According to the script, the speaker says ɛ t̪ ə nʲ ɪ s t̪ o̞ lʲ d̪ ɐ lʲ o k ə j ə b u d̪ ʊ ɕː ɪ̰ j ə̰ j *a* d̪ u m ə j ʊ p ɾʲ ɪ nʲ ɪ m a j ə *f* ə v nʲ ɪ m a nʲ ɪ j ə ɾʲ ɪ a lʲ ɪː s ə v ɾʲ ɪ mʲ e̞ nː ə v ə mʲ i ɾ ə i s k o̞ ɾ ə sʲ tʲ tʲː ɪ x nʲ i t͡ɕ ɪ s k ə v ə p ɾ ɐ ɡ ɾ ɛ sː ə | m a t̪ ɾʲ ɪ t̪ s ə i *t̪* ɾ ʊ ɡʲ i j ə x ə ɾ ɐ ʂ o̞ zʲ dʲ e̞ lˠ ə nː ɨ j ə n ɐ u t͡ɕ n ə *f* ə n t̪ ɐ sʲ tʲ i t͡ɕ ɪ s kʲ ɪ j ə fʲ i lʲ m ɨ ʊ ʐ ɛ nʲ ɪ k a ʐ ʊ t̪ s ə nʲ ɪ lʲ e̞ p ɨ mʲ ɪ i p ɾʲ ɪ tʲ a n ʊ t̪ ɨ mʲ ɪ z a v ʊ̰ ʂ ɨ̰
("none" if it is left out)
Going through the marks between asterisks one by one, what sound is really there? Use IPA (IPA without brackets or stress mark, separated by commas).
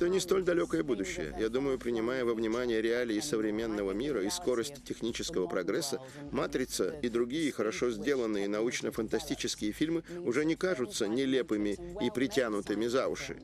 a, v, d̪, f